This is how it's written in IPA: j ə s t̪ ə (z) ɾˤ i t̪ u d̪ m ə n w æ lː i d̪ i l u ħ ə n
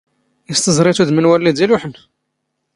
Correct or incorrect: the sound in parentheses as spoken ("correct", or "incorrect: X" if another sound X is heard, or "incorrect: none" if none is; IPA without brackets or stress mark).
correct